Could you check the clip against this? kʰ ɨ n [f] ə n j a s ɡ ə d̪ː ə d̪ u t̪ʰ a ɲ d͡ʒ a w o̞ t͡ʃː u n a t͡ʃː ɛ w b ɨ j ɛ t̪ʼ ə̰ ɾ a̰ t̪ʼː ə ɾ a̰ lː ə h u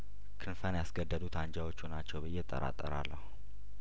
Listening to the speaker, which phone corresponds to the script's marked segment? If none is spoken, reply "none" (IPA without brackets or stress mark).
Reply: f